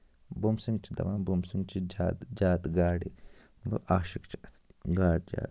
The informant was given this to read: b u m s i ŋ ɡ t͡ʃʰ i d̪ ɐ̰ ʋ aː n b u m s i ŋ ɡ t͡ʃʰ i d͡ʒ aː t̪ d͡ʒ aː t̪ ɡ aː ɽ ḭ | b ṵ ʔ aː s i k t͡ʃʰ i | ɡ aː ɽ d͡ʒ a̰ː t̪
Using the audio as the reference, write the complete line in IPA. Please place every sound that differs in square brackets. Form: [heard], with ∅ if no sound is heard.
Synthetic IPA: b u m s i ŋ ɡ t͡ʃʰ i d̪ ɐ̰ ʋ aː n b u m s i ŋ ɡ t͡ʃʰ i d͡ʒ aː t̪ d͡ʒ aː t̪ ɡ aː ɽ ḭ | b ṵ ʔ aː [ʃ] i k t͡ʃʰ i | ɡ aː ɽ d͡ʒ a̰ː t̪